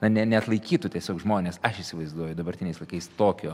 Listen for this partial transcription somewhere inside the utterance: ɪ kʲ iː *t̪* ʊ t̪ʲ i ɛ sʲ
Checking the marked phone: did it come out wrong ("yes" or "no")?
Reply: no